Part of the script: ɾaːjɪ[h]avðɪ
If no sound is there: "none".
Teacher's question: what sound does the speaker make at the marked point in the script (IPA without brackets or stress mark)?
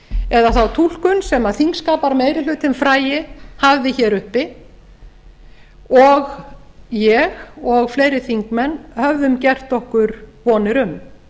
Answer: h